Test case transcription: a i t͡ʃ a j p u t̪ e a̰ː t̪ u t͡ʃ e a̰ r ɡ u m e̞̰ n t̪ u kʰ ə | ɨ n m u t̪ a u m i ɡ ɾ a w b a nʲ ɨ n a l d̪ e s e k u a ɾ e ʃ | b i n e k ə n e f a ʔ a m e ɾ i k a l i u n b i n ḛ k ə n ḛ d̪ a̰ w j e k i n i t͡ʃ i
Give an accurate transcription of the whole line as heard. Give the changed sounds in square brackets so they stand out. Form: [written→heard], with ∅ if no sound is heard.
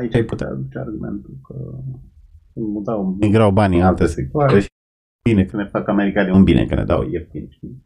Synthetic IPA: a i t͡ʃ a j p u t̪ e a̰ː [t̪→d̪] u t͡ʃ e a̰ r ɡ u m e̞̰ n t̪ u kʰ ə | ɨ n m u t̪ a [u→w] m i ɡ ɾ a w b a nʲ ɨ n a l [d̪→t̪] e s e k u a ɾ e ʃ | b i n e k ə n e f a [ʔ→k] a m e ɾ i k a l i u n b i n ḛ k ə n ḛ d̪ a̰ w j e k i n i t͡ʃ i